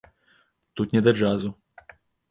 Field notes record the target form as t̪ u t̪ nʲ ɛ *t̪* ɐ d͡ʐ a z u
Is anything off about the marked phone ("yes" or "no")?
yes